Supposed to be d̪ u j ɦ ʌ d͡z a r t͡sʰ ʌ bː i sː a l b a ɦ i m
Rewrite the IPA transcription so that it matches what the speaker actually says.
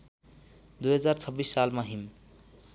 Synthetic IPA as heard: d̪ u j ɦ ʌ d͡z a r t͡sʰ ʌ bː i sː a l m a ɦ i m